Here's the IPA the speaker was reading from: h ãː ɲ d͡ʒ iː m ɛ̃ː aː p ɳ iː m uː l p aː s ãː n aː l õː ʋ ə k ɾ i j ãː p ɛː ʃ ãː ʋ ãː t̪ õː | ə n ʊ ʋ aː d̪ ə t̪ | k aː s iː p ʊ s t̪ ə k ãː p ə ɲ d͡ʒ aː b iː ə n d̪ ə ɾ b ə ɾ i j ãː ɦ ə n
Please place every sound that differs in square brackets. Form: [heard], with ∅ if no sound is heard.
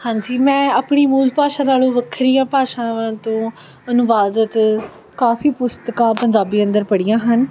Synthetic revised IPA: h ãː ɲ d͡ʒ iː m ɛ̃ː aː p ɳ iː m uː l p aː [ʃ] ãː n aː l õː ʋ ə [kʰ] ɾ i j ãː p [aː] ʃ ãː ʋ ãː t̪ õː | ə n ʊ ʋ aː d̪ ə t̪ | k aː [f] iː p ʊ s t̪ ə k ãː p ə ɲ d͡ʒ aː b iː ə n d̪ ə ɾ [p] ə [ɽ] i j ãː ɦ ə n